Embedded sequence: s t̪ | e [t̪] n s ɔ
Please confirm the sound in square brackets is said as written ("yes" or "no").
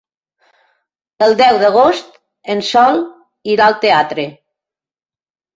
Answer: no